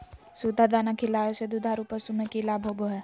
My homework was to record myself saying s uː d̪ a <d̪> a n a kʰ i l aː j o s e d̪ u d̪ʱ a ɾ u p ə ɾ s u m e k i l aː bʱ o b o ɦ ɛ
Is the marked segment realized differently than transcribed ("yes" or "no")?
no